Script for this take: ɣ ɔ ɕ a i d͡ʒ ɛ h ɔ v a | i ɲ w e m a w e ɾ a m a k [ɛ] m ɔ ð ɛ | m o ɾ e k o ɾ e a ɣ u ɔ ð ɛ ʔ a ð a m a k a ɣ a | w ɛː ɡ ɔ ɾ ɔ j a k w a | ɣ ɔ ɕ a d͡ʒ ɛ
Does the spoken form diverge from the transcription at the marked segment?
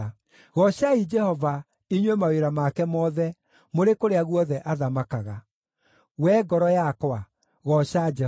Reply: no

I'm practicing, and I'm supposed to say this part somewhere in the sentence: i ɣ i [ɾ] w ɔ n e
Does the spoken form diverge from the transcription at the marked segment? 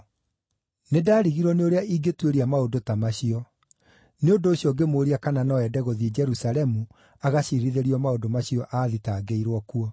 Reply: no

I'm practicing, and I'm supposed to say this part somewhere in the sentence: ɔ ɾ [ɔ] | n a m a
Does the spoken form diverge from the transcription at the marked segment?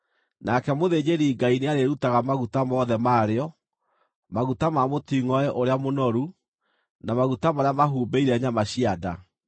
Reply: yes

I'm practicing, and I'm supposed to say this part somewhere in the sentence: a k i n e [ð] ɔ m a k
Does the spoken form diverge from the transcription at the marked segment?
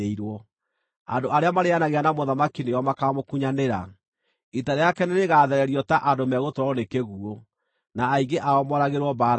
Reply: yes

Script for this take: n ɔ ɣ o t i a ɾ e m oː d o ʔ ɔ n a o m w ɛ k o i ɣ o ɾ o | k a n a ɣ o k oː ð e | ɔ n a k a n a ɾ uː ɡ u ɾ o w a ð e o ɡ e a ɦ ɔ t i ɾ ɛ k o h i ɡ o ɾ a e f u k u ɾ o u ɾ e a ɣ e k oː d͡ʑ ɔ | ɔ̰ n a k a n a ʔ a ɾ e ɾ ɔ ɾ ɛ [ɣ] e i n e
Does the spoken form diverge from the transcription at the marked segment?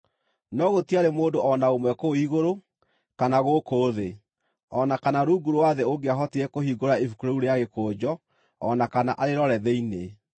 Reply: yes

